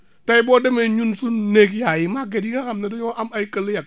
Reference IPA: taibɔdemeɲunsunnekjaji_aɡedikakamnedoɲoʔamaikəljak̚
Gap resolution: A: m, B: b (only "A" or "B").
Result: A